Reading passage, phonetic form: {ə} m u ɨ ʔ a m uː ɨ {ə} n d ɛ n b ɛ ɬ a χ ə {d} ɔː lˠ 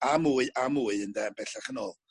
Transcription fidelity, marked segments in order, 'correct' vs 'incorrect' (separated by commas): incorrect, correct, incorrect